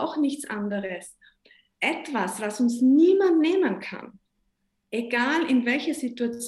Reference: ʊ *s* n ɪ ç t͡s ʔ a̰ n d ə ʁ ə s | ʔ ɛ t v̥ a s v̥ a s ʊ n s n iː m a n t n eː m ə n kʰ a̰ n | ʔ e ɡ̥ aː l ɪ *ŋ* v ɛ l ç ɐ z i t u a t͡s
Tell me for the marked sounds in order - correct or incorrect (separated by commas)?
incorrect, incorrect